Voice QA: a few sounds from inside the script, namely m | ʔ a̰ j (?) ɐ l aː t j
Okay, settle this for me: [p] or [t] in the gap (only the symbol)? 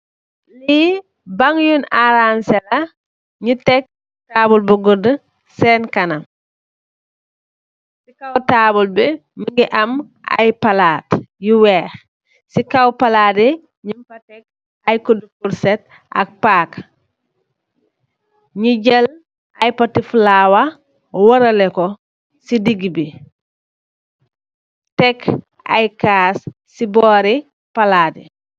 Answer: p